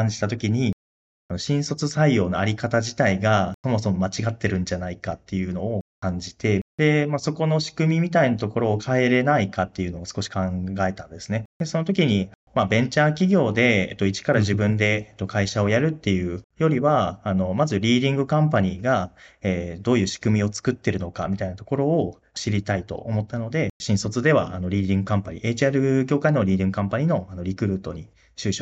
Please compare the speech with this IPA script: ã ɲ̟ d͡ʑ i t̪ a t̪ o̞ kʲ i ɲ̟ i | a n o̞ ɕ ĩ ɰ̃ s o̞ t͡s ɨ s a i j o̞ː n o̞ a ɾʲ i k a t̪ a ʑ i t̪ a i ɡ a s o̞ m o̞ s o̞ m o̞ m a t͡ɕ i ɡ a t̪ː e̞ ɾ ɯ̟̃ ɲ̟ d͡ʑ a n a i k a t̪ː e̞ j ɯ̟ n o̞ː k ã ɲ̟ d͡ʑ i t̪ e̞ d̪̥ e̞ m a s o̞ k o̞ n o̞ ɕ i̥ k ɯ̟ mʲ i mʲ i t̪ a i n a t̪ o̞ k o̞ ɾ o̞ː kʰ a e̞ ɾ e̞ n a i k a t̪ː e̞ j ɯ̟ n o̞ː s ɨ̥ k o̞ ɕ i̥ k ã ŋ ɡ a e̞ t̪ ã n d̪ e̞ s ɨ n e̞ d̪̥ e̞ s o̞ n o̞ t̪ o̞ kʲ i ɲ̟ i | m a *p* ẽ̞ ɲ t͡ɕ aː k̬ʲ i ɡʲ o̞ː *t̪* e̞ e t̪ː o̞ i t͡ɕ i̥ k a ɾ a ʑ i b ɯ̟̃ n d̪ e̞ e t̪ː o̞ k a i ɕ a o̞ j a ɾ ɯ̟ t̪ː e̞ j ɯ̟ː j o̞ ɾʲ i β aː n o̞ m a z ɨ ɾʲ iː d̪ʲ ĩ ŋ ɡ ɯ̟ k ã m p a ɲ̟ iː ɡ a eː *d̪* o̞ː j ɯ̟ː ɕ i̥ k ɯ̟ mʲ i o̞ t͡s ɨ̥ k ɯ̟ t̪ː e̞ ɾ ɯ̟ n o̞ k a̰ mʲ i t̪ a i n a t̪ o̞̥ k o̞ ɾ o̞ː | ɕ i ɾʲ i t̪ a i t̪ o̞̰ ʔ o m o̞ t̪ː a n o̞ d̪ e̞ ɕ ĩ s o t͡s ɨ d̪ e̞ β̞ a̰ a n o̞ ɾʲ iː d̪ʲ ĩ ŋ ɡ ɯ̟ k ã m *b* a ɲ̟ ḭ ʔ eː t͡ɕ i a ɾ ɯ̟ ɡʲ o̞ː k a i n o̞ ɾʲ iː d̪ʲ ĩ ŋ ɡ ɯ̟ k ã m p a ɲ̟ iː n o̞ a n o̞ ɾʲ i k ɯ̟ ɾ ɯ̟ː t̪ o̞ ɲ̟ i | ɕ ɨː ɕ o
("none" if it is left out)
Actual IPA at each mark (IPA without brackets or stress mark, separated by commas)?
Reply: b, d̪, d̪, p